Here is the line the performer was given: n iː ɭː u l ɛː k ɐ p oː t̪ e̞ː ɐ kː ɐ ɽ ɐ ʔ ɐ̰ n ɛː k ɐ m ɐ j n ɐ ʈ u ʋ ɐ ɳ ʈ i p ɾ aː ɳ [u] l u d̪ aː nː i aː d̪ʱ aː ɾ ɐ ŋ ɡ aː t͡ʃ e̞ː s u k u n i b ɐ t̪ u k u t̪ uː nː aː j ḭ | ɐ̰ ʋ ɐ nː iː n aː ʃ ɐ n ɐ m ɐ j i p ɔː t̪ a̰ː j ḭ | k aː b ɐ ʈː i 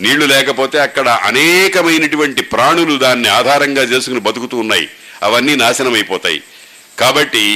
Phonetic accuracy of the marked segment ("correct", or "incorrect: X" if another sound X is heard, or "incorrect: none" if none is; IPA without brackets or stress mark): correct